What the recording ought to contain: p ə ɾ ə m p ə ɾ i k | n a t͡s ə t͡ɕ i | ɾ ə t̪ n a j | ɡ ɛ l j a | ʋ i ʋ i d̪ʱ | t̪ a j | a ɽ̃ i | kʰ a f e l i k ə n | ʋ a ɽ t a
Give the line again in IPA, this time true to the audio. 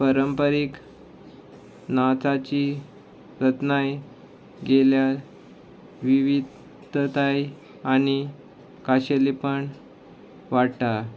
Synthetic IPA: p ə ɾ ə m p ə ɾ i k | n a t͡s a t͡ɕ i | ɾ ə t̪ n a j | ɡ e l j a | ʋ i ʋ i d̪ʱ | t̪ a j | a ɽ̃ i | k a ɕ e l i p ə ɳ | ʋ a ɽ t a